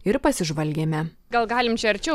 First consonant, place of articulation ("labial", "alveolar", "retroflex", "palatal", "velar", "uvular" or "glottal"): alveolar